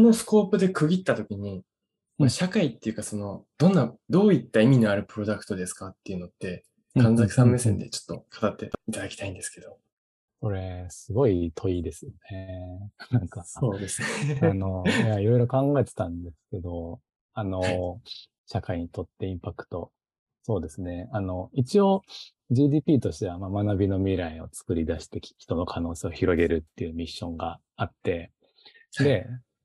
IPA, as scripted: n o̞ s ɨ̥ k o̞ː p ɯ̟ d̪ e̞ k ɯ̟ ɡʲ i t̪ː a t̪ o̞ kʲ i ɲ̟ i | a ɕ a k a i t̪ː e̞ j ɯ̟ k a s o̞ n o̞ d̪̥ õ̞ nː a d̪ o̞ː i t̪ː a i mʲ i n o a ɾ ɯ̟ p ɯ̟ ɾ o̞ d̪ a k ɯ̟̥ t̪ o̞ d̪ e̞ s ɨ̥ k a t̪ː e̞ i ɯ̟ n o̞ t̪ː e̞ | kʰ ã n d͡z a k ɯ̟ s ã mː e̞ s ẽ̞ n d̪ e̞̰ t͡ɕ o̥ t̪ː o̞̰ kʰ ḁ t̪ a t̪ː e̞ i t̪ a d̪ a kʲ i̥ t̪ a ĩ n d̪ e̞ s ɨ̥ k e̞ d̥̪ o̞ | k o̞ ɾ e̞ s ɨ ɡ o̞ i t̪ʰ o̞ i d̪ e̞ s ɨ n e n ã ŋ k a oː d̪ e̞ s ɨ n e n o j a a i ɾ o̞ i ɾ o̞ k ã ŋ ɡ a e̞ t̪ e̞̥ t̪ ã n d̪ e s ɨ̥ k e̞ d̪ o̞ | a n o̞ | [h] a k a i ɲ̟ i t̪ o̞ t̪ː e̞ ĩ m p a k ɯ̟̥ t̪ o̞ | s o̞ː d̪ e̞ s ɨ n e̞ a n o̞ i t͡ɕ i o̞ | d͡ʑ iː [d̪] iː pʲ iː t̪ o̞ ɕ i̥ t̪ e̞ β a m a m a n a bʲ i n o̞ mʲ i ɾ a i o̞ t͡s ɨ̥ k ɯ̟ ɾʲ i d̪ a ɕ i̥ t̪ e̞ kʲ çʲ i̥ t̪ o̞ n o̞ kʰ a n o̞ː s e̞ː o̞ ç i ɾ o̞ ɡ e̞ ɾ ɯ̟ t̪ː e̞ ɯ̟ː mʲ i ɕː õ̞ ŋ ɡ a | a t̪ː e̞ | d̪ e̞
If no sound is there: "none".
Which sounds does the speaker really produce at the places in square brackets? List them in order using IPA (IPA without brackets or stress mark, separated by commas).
ɕ, d̪